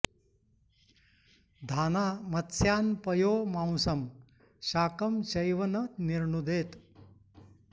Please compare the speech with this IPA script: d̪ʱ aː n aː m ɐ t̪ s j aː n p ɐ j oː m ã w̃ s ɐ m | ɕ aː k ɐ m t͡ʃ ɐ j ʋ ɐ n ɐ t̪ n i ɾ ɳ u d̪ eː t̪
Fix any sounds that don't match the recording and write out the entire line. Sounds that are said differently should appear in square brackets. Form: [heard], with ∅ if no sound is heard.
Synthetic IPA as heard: d̪ʱ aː n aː m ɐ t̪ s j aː n p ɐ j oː m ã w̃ s ɐ m | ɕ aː k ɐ m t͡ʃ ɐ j ʋ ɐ n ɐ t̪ n i ɾ ɳ u d̪ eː t̪